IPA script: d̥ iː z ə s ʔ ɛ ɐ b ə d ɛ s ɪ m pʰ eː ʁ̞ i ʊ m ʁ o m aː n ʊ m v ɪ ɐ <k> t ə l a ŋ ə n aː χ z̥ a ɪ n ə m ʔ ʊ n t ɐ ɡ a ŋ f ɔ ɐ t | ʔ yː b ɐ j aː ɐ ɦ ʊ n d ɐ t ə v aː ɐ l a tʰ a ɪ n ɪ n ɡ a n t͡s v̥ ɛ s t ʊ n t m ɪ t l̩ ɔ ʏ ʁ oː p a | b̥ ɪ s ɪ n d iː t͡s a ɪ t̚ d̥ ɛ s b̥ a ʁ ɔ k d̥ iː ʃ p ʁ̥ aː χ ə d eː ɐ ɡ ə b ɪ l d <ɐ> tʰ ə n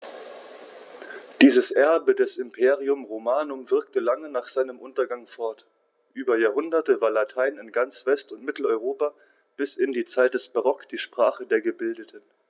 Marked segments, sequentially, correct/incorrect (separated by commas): correct, incorrect